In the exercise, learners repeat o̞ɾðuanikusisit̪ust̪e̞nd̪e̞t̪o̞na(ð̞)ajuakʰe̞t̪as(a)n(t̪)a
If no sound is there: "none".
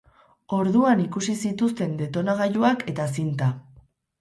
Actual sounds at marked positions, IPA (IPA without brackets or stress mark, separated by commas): ɣ̞, i, t̪